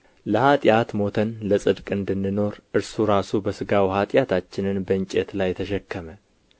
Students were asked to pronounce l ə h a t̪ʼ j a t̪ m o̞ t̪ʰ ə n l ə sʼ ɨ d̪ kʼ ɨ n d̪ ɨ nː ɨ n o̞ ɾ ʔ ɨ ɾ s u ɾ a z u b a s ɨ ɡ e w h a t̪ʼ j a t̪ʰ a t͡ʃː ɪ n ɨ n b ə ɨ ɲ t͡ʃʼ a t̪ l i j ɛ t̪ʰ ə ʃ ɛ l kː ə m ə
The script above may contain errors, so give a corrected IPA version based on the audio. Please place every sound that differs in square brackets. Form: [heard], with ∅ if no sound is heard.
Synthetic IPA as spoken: l ə h a t̪ʼ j a t̪ m o̞ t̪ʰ ə n l ə sʼ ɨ d̪ kʼ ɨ n d̪ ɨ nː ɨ n o̞ ɾ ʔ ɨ ɾ s u ɾ a [s] u b [ə] s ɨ ɡ [a] w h a t̪ʼ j a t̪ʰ a t͡ʃː ɪ n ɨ n b ə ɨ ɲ t͡ʃʼ [e] t̪ l [a] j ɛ t̪ʰ ə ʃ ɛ [∅] kː ə m ə